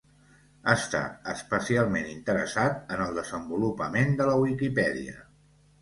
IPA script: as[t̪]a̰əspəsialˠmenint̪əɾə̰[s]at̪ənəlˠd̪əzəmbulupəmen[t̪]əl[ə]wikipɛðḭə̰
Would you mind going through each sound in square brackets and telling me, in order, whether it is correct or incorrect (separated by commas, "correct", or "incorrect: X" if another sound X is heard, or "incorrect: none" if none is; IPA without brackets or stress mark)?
correct, correct, incorrect: d̪, correct